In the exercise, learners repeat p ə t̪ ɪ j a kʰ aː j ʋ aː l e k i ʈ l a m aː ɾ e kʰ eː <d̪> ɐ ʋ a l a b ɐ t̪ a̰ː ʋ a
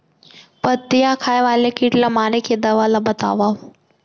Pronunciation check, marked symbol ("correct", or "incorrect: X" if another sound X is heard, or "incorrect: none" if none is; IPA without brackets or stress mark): correct